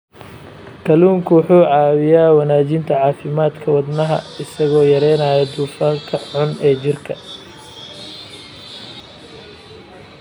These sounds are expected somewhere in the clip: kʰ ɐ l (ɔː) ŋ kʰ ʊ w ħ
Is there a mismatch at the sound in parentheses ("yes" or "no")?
yes